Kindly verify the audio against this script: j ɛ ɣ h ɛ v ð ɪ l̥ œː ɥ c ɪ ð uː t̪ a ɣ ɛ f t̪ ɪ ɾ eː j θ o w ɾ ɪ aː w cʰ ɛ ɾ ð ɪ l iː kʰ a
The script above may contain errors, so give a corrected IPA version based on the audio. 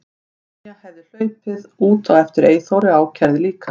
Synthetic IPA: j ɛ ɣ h ɛ v ð ɪ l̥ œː ɥ p ɪ ð uː t̪ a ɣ ɛ f t̪ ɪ ɾ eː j θ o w ɾ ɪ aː w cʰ ɛ ɾ ð ɪ l iː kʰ a